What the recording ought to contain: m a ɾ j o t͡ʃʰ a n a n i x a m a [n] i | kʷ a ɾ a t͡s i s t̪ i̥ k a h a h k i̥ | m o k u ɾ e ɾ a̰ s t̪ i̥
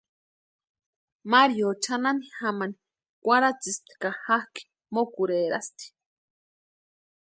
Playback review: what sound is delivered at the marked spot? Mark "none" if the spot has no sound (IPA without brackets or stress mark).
n